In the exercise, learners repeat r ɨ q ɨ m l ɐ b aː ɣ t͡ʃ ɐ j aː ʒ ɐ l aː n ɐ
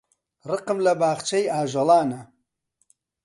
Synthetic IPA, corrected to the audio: r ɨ q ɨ m l ɐ b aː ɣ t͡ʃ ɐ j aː ʒ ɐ l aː n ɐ